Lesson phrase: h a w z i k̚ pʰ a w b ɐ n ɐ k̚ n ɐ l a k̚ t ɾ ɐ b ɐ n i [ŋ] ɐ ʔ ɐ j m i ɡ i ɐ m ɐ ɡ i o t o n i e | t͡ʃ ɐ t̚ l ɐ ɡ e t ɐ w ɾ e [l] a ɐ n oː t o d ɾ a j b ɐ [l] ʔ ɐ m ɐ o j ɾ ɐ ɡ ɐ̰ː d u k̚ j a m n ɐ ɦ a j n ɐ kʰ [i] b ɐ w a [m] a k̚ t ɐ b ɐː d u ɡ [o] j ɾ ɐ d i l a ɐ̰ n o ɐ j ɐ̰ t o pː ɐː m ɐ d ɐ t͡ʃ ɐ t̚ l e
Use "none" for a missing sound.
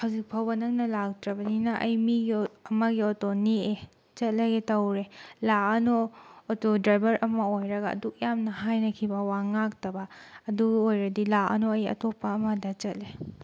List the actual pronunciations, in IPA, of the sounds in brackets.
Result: n, l, ɾ, i, ŋ, o

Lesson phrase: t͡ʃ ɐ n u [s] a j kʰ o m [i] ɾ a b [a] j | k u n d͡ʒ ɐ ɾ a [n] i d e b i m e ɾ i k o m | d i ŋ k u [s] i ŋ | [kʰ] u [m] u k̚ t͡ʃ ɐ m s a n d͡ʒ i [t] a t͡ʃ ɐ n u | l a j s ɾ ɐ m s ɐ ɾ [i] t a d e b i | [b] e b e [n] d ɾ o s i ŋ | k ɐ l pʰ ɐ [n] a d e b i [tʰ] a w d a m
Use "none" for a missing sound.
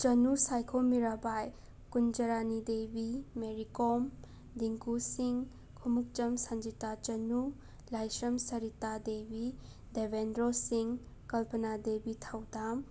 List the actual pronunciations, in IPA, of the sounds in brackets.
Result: s, i, a, n, s, kʰ, m, t, i, d, n, n, tʰ

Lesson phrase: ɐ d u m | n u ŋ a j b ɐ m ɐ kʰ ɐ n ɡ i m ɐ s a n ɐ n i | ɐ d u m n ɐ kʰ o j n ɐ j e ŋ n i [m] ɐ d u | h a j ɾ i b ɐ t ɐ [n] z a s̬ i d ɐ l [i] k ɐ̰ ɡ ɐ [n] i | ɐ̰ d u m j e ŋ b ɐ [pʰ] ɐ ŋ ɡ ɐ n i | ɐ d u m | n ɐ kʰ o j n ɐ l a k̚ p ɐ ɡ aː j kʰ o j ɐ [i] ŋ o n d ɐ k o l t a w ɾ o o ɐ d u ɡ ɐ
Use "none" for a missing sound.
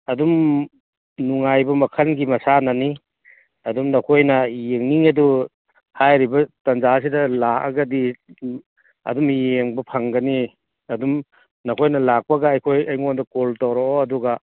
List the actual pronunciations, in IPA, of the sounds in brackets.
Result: ŋ, n, a, d, pʰ, j

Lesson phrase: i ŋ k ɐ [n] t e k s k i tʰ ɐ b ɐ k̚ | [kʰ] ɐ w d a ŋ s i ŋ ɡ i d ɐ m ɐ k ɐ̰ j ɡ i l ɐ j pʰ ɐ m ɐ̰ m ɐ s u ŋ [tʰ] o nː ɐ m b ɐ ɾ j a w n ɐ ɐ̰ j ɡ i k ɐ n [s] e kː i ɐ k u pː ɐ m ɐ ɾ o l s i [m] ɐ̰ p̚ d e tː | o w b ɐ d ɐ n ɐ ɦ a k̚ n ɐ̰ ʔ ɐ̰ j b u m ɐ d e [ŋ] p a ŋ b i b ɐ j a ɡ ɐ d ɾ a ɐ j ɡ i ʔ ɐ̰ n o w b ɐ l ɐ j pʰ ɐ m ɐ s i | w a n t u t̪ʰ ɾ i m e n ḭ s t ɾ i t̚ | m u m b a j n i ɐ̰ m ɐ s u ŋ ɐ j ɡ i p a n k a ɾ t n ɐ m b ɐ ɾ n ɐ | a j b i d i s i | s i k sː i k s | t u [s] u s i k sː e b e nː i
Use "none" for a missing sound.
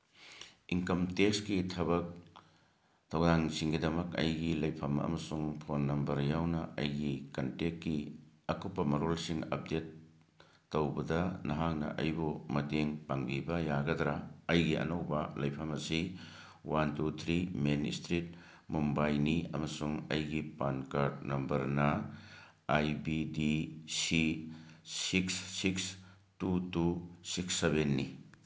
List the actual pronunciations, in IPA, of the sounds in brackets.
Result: m, tʰ, pʰ, t, ŋ, ŋ, t

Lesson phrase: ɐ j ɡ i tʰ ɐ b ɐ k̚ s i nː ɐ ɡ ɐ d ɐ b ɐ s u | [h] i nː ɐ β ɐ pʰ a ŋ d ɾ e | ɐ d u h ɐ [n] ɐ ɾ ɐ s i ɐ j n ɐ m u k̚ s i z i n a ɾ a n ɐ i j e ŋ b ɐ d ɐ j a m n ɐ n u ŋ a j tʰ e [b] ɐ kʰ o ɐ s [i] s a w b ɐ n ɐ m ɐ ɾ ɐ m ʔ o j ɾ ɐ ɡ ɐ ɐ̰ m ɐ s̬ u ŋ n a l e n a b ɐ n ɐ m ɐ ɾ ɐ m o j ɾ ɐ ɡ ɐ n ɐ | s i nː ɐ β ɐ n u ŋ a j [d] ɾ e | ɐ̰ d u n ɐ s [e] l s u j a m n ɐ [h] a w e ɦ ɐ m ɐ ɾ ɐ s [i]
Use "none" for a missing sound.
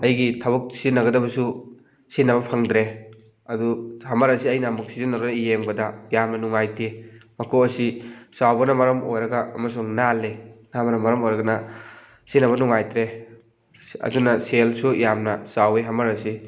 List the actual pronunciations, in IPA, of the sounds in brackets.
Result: s, m, m, i, t, e, s, i

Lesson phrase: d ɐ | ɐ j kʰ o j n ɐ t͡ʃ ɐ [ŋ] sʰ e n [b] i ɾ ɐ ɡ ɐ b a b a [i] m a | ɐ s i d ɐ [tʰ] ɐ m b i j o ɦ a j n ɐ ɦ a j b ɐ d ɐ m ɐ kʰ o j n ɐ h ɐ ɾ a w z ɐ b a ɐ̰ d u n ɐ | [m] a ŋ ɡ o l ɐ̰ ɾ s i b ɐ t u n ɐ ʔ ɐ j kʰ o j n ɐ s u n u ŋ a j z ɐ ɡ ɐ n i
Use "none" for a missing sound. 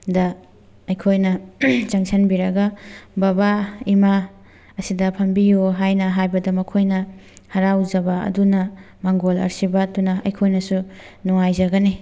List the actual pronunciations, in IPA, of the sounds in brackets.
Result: ŋ, b, i, pʰ, m

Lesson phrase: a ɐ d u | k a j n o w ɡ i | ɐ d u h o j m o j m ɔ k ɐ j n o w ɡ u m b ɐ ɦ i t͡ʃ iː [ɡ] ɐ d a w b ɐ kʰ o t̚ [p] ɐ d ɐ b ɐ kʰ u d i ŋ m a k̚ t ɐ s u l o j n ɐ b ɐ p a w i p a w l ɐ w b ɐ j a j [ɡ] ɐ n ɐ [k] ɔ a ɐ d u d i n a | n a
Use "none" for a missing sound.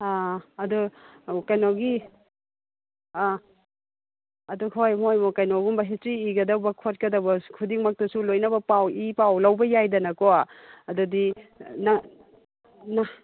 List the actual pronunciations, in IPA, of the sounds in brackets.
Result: ɡ, k, d, k

